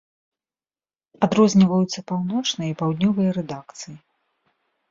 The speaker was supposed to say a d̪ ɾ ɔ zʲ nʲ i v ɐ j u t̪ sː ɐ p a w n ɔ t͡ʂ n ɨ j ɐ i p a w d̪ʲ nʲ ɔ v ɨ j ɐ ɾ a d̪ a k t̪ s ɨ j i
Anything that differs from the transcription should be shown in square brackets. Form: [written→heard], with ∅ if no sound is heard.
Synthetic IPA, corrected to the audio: a d̪ ɾ ɔ zʲ nʲ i v ɐ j u t̪ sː ɐ p a w n ɔ t͡ʂ n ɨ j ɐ i p a w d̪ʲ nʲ ɔ v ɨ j ɐ ɾ [a→ɛ] d̪ a k t̪ s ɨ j i